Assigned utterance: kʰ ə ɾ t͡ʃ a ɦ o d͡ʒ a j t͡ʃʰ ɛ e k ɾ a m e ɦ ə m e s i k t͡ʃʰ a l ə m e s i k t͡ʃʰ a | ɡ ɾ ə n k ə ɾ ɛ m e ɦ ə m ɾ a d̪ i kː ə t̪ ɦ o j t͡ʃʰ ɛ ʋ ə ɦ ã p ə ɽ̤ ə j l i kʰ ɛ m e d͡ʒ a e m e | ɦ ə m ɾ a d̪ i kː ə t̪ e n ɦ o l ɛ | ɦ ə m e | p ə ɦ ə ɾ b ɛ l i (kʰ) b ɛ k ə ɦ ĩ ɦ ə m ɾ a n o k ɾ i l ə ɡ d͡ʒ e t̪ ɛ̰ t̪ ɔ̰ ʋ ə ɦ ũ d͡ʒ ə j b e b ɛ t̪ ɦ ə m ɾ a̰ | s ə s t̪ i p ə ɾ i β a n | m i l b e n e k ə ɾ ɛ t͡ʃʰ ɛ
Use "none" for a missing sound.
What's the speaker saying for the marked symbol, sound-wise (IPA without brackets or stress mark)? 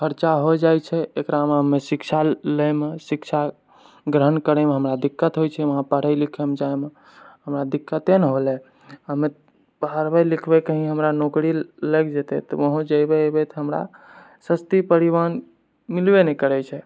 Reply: kʰ